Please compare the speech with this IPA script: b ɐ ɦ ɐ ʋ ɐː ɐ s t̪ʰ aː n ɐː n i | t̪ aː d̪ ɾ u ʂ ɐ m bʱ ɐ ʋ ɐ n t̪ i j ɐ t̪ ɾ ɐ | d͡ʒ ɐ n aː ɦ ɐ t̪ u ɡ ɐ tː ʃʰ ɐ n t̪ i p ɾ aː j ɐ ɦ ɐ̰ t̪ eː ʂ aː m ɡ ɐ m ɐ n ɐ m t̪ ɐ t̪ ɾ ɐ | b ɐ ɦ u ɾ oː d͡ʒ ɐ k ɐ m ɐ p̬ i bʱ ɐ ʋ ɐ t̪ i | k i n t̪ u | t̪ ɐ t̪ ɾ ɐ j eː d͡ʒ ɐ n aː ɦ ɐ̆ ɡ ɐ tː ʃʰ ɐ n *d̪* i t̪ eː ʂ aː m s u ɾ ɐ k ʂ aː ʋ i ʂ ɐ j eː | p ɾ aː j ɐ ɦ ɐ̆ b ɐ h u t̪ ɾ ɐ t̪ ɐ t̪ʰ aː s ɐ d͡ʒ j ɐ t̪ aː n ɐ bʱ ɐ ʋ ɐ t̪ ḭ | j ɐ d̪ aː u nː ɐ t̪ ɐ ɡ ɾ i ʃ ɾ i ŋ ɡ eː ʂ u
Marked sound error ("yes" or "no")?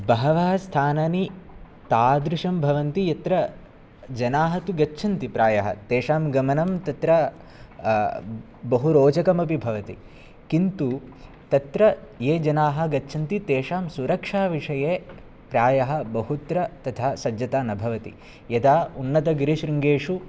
yes